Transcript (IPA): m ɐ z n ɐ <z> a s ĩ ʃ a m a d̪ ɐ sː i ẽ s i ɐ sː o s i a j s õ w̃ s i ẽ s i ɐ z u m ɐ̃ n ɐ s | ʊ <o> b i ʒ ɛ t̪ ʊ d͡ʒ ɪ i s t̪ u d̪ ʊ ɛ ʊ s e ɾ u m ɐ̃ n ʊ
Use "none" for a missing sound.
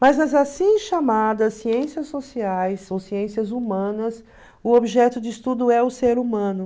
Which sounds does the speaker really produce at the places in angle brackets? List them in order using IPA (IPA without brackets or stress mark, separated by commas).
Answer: z, o